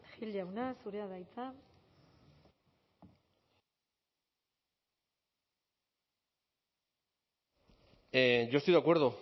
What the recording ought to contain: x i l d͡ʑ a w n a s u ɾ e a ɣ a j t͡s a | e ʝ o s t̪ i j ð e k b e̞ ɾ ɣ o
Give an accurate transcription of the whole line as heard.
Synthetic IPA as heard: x i l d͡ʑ a w n a s u ɾ e a ð a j t͡s a | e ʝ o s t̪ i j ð a k w e̞ ɾ ð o

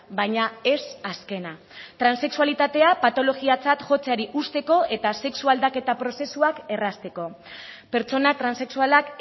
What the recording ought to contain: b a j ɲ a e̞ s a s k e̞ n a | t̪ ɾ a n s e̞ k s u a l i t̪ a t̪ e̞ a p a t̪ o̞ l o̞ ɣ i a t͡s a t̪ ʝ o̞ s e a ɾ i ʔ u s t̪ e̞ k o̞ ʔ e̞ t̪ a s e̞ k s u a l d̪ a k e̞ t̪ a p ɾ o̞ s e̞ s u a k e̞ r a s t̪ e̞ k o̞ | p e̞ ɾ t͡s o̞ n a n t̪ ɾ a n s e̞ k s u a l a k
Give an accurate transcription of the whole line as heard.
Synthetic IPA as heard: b a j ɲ a e̞ s a s k e̞ n a | t̪ ɾ a n s e̞ k s u a l i t̪ a t̪ e̞ a p a t̪ o̞ l o̞ ɣ i a t͡s a t̪ ʝ o̞ t͡s e a ɾ i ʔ u s t̪ e̞ k o̞ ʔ e̞ t̪ a s e̞ k s u a l d̪ a k e̞ t̪ a p ɾ o̞ s e̞ s u a k e̞ r a s t̪ e̞ k o̞ | p e̞ ɾ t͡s o̞ n a t̪ ɾ a n s e̞ k s u a l a k

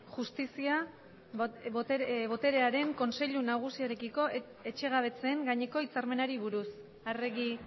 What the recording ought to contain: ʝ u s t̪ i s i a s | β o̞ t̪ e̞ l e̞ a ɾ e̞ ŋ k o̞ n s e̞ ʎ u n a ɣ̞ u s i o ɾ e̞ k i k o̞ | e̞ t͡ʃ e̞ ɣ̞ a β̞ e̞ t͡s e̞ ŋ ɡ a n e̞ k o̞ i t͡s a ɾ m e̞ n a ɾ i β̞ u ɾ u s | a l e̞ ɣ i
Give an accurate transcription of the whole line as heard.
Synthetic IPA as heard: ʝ u s t̪ i s i a | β o̞ t̪ e̞ ɾ e̞ a ɾ e̞ ŋ k o̞ n s e̞ ʎ u n a ɣ̞ u s i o ɾ e̞ k i k o̞ | e̞ t͡ʃ e̞ ɣ̞ a β̞ e̞ t͡s e̞ ŋ ɡ a ɲ e̞ k o̞ i t͡s a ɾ m e̞ n a ɾ i β̞ u ɾ u s | a r e̞ ɣ i

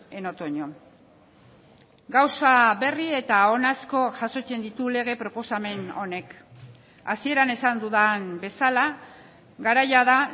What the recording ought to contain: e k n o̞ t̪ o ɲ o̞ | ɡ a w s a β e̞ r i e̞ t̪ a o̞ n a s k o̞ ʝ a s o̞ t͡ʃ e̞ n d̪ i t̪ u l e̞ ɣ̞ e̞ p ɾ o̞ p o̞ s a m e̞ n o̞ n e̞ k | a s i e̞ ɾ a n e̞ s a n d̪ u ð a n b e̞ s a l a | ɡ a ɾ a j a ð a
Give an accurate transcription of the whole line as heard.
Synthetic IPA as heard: e n o̞ t̪ o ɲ o̞ | ɡ a w s a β e̞ r i e̞ t̪ a o̞ n a s k o̞ ʝ a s o̞ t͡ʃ e̞ n d̪ i t̪ u l e̞ ɣ̞ e̞ p ɾ o̞ p o̞ s a m e̞ n o̞ n e̞ k | a s i e̞ ɾ a n e̞ s a n d̪ u ð a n b e̞ s a l a | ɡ a ɾ a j a ð a

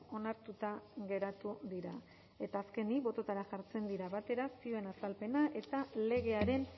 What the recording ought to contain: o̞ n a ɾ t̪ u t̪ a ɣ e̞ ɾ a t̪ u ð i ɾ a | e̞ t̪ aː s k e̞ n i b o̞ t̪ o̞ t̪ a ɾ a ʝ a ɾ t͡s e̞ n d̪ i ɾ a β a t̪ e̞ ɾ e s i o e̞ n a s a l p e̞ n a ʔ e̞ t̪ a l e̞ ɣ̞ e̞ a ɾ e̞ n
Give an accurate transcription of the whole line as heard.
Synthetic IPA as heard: o̞ n a ɾ t̪ u t̪ a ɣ e̞ ɾ a t̪ u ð i ɾ a | e̞ t̪ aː s k e̞ n i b o̞ t̪ o̞ t̪ a ɾ a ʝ a ɾ t͡s e̞ n d̪ i ɾ a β a t̪ e̞ ɾ a s i o e̞ n a s a l p e̞ n a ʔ e̞ t̪ a l e̞ ɣ̞ e̞ a ɾ e̞ n

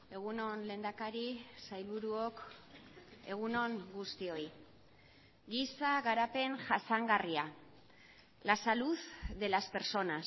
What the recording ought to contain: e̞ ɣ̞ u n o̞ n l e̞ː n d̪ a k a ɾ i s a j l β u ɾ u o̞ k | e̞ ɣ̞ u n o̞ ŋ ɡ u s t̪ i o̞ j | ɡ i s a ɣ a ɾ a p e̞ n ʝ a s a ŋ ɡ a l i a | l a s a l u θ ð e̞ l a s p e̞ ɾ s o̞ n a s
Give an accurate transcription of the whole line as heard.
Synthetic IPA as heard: e̞ ɣ̞ u n o̞ n l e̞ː n d̪ a k a ɾ i s a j l β u ɾ u o̞ k | e̞ ɣ̞ u n o̞ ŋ ɡ u s t̪ i o̞ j | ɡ i s a ɣ a ɾ a p e̞ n ʝ a s a ŋ ɡ a r i a | l a s a l u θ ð e̞ l a s p e̞ ɾ s o̞ n a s

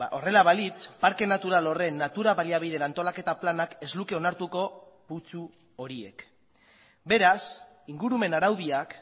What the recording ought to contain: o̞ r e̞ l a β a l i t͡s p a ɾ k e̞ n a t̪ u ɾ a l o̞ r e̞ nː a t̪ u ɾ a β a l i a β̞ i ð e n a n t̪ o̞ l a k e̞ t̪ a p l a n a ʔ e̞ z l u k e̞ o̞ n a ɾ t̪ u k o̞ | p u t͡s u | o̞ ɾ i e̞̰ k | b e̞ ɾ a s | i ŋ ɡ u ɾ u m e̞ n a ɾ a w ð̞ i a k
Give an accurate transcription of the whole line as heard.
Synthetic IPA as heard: o̞ r e̞ l a β a l i t͡s p a ɾ k e̞ n a t̪ u ɾ a l o̞ r e̞ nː a t̪ u ɾ a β a l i a β̞ i ð e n a n t̪ o̞ l a k e̞ t̪ a p l a n a k e̞ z l u k e̞ o̞ n a ɾ t̪ u k o̞ | p u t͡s u | o̞ ɾ i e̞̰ k | b e̞ ɾ a s | i ŋ ɡ u ɾ u m e̞ n a ɾ a w ð̞ i a k

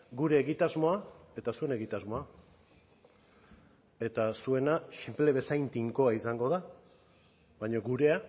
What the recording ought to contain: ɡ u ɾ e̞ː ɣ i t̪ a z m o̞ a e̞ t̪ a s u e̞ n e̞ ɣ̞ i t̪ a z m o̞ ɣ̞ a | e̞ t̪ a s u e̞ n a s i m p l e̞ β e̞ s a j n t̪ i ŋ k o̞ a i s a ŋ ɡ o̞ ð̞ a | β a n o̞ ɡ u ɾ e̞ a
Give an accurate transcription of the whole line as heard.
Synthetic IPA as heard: ɡ u ɾ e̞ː ɣ i t̪ a z m o̞ a e̞ t̪ a s u e̞ n e̞ ɣ̞ i t̪ a z m o̞ a | e̞ t̪ a s u e̞ n a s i m p l e̞ β e̞ s a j n t̪ i ŋ k o̞ a i s a ŋ ɡ o̞ ð̞ a | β a ɲ o̞ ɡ u ɾ e̞ a

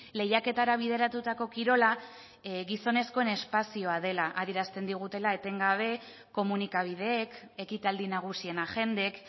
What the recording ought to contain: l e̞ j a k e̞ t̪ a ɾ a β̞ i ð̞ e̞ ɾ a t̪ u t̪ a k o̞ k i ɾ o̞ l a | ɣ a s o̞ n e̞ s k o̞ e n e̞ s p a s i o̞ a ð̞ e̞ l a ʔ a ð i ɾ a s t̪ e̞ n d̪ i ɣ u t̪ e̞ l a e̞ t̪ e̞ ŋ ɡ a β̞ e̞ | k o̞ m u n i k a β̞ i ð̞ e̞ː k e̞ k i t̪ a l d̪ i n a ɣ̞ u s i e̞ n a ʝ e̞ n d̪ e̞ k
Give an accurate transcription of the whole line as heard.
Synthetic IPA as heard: l e̞ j a k e̞ t̪ a ɾ a β̞ i ð̞ e̞ ɾ a t̪ u t̪ a k o̞ k i ɾ o̞ l a | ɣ i s o̞ n e̞ s k o̞ e n e̞ s p a s i o̞ a ð̞ e̞ l a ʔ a ð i ɾ a s t̪ e̞ n d̪ i ɣ u t̪ e̞ l a e̞ t̪ e̞ ŋ ɡ a β̞ e̞ | k o̞ m u n i k a β̞ i ð̞ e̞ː k e̞ k i t̪ a l d̪ i n a ɣ̞ u s i e̞ n a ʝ e̞ n d̪ e̞ k

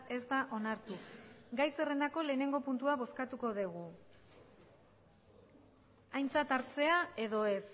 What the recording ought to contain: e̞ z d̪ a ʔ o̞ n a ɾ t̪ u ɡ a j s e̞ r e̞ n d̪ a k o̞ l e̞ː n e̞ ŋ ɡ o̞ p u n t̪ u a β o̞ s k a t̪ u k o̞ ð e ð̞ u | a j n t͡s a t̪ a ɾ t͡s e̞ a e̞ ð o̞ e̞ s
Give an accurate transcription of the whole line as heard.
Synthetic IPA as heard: e̞ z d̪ a ʔ o̞ n a ɾ t̪ u ɡ a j s e̞ r e̞ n d̪ a k o̞ l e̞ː n e̞ ŋ ɡ o̞ p u n t̪ u a β o̞ s k a t̪ u k o̞ ð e ɣ̞ u | a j n t͡s a t̪ a ɾ t͡s e̞ a e̞ ð o̞ e̞ s

